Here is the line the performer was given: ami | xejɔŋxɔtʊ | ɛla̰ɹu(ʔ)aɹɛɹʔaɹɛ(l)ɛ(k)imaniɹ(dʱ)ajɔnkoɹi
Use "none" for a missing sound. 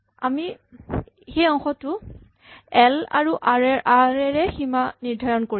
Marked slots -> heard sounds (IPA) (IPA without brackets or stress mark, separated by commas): ʔ, ɹ, x, dʱ